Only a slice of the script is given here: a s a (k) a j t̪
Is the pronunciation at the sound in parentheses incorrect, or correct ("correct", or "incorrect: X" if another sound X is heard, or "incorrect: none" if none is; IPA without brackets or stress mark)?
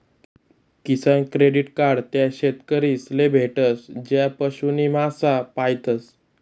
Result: incorrect: p